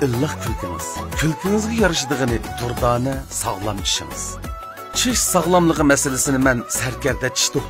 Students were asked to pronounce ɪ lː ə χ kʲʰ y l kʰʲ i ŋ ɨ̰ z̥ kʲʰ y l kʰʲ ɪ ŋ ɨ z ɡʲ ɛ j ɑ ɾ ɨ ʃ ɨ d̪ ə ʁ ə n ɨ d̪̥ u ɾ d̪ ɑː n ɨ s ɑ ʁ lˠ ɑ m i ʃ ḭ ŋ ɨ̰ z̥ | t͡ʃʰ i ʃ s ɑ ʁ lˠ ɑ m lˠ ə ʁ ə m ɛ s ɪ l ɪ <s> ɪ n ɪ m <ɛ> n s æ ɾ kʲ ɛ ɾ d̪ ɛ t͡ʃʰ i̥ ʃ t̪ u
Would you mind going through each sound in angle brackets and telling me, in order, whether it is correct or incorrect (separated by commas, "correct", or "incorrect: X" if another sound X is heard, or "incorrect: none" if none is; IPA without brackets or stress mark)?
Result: correct, correct